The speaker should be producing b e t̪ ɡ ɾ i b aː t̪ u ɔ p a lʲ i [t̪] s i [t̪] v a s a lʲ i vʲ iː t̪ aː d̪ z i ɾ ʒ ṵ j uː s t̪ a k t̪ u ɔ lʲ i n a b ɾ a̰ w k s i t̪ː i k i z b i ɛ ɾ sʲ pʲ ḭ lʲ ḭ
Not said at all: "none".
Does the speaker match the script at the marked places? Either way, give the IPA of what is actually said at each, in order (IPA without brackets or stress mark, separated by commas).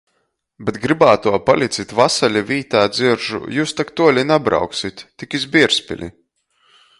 t̪, t̪